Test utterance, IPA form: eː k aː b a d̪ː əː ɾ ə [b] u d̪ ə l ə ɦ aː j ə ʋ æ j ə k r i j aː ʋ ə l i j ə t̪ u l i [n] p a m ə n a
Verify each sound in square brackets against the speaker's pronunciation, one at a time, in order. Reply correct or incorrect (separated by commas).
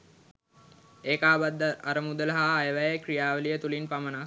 incorrect, correct